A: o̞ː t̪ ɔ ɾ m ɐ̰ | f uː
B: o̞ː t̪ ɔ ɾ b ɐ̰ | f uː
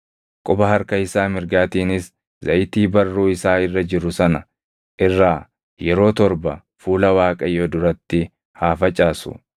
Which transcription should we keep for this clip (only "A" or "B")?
B